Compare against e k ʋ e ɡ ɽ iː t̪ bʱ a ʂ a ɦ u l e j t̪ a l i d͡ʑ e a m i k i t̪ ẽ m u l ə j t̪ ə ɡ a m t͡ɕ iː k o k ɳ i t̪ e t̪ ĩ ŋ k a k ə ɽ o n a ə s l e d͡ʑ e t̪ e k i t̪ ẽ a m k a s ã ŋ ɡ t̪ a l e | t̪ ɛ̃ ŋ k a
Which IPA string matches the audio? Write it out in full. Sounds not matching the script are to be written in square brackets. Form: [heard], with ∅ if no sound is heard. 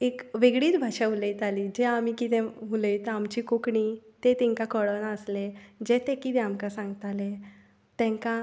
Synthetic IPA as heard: e k ʋ e ɡ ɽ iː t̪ bʱ a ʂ a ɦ u l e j t̪ a l i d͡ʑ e a m i k i t̪ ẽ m u l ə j t̪ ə [∅] a m t͡ɕ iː k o k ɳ i t̪ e t̪ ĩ ŋ k a k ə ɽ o n a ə s l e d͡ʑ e t̪ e k i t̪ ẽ a m k a s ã ŋ ɡ t̪ a l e | t̪ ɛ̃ ŋ k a